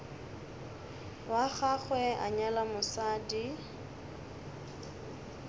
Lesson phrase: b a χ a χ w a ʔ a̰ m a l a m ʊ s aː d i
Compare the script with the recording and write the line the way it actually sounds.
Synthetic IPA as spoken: w a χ a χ w ɛ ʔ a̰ ɲ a l a m ʊ s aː d i